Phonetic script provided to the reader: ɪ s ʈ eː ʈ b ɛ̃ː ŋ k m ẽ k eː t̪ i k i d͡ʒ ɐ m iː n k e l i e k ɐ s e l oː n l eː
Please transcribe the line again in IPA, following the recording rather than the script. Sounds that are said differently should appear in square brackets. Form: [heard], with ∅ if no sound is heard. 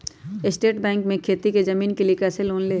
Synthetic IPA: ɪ s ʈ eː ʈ b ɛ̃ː ŋ k m ẽ [kʰ] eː t̪ i k [e] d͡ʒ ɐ m iː n k e l i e k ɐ s e l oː n l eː